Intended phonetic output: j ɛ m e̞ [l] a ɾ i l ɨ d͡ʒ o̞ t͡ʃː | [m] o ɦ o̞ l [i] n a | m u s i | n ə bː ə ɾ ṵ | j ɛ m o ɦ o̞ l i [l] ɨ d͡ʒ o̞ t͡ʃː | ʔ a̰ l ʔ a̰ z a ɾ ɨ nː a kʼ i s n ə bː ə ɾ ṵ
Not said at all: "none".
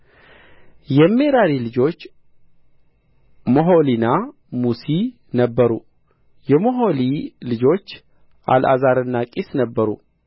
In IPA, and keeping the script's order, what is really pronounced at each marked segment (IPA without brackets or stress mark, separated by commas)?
ɾ, m, i, l